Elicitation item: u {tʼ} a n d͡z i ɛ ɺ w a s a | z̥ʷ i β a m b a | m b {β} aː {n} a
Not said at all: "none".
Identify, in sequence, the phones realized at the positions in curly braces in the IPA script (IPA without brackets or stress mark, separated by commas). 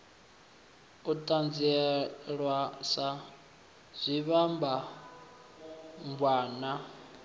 tʼ, w, n